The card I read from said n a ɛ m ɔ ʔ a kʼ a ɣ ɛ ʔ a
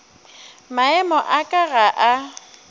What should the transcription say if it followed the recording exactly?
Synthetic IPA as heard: m a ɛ m ɔ ʔ a kʼ a ɣ a ʔ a